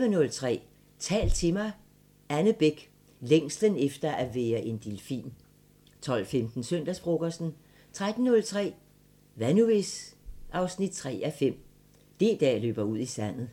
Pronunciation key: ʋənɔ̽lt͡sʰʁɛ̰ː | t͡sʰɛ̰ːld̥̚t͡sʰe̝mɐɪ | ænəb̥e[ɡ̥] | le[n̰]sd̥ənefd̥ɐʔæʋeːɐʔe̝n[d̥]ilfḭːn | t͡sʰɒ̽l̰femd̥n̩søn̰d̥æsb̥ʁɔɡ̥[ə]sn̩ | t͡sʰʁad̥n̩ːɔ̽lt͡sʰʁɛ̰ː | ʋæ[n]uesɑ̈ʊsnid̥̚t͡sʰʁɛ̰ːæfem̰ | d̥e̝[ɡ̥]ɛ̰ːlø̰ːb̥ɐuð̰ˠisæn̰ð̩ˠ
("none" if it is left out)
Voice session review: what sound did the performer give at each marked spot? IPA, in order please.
ɡ̥, ŋ̰, d̥, ɐ, n, d̥

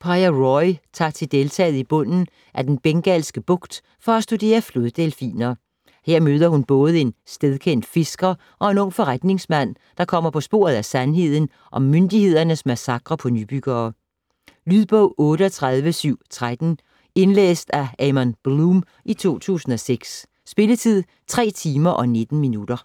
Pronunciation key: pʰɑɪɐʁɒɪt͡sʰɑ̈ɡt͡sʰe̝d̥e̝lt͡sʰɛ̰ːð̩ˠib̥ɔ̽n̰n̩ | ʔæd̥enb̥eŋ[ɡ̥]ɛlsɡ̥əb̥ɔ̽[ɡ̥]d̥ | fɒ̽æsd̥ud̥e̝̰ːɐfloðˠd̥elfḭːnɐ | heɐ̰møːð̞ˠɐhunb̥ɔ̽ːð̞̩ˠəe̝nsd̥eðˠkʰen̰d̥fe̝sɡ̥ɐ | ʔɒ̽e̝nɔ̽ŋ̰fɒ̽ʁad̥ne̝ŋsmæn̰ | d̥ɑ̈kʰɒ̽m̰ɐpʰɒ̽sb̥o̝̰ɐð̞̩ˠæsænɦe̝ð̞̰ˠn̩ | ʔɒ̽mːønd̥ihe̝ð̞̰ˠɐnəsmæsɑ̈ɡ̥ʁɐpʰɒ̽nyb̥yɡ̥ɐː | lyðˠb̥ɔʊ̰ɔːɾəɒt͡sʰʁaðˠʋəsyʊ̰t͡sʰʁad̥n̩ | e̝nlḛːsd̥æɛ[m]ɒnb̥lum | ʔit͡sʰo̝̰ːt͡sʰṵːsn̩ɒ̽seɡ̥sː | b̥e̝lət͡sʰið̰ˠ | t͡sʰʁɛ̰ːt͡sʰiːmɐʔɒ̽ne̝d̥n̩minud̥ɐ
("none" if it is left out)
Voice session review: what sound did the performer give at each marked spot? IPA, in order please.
ɡ̥, ɡ̥, m

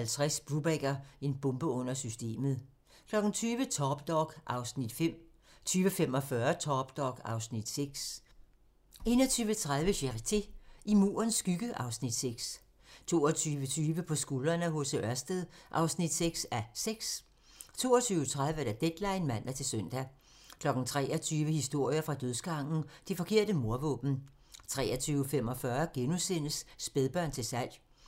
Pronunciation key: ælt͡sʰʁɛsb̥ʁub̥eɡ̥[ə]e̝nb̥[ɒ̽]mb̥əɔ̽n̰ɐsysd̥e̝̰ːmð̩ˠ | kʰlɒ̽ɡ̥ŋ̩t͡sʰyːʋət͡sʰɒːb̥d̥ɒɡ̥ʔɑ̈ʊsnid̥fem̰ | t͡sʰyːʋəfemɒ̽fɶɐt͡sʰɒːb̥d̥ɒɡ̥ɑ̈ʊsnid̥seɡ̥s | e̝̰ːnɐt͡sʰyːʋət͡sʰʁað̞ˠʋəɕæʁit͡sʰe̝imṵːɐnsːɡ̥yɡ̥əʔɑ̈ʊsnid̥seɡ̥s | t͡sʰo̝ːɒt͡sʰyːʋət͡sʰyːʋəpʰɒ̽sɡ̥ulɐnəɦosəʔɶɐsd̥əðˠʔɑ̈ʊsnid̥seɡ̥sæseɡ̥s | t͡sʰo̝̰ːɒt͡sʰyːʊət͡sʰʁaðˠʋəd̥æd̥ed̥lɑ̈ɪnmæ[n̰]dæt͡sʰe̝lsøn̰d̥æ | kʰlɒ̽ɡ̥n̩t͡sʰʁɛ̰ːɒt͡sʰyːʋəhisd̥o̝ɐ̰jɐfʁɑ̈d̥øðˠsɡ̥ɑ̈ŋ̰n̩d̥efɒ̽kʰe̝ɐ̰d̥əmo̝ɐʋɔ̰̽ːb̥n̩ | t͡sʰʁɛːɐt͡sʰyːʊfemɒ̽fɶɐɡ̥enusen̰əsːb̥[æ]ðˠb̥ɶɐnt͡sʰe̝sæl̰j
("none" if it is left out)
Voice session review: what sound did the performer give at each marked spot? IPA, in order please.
ɐ, ɔ̽, n̰, e

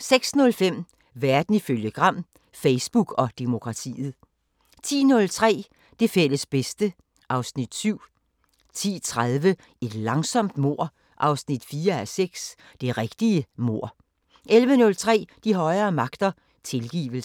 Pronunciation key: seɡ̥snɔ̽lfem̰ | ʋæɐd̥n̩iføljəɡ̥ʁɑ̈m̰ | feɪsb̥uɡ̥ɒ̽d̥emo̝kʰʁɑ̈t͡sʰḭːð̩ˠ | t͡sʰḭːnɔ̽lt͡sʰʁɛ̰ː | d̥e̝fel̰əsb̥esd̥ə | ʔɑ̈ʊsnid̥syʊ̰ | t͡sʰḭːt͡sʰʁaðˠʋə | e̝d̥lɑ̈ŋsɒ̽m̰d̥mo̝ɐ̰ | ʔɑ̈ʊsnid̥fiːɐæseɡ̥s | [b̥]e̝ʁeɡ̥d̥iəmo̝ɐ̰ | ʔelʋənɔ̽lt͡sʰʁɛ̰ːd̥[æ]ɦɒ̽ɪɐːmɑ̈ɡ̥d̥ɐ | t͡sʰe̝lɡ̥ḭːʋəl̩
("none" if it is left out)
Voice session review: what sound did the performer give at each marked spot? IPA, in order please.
d̥, i

